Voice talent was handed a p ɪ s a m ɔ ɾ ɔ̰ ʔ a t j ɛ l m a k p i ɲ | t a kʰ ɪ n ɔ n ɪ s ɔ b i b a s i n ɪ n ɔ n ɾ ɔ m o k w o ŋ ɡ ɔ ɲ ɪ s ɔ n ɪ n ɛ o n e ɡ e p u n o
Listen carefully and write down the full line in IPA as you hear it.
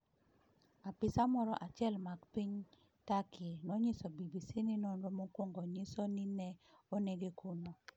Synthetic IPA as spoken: a p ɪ s a m ɔ ɾ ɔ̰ ʔ a t͡ʃ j ɛ l m a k p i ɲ | t a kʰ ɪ n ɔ ɲ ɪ s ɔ b i b i s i n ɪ n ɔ n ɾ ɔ m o k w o ŋ ɡ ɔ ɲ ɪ s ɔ n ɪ n ɛ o n e ɡ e k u n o